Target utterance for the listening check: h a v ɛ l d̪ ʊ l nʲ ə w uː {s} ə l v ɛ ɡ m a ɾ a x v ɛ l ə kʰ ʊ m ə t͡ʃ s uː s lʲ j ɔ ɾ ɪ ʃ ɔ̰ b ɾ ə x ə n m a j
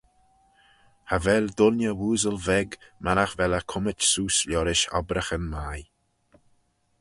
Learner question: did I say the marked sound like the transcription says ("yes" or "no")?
no